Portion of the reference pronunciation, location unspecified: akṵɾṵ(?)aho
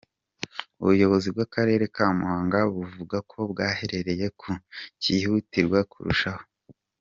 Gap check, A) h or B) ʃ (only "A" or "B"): B